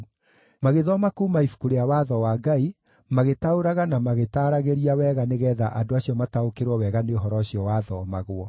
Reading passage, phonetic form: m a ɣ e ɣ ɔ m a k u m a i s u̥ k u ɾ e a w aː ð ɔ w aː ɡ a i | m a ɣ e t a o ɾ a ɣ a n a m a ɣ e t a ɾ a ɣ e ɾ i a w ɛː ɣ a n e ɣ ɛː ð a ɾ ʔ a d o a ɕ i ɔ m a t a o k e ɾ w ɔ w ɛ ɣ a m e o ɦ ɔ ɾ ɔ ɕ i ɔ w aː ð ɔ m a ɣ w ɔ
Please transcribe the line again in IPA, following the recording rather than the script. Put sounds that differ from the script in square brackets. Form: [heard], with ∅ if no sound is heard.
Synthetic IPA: m a ɣ e [ð] ɔ m a k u m a i [f] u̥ k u ɾ e a w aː ð ɔ w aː ɡ a i | m a ɣ e t a o ɾ a ɣ a n a m a ɣ e t a ɾ a ɣ e ɾ i a w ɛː ɣ a n e ɣ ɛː ð a [∅] ʔ a d o a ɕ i ɔ m a t a o k e ɾ w ɔ w ɛ ɣ a [n] e o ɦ ɔ ɾ ɔ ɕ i ɔ w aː ð ɔ m a ɣ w ɔ